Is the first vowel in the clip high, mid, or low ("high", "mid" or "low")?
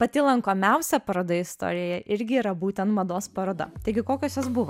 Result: low